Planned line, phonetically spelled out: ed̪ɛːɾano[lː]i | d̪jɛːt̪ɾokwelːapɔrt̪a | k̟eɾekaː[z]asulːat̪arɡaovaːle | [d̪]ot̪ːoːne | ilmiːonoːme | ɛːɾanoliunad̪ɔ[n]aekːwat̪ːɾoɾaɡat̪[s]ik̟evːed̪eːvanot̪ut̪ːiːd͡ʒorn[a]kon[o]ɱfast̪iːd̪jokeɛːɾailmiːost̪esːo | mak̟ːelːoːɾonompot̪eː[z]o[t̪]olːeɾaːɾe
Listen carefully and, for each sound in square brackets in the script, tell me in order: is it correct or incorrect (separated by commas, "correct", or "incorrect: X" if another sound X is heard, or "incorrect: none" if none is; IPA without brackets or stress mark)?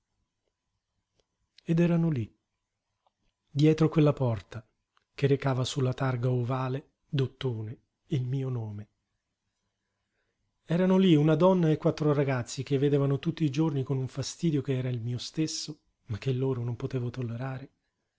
incorrect: l, incorrect: v, correct, incorrect: nː, incorrect: sː, incorrect: i, incorrect: u, incorrect: v, correct